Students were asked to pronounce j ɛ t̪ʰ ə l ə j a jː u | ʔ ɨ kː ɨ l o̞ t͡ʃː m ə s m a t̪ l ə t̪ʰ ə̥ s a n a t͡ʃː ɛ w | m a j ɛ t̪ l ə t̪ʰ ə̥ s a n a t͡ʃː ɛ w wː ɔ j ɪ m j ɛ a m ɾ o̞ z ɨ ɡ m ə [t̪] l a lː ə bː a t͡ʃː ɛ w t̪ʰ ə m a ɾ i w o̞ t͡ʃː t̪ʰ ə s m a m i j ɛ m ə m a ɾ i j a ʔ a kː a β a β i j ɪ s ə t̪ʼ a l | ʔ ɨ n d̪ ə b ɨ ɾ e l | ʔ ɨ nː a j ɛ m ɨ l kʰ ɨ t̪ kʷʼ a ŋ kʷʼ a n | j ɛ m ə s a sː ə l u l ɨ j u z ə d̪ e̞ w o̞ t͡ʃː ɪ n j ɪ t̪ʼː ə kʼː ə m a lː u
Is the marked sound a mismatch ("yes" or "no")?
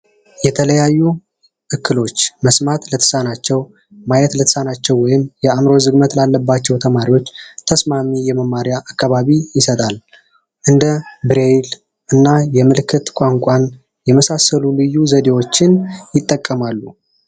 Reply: no